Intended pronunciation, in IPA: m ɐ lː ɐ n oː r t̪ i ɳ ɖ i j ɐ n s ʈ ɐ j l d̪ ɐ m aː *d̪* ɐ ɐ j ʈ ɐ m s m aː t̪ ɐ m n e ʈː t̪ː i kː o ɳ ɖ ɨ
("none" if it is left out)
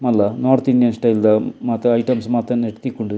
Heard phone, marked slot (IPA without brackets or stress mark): t̪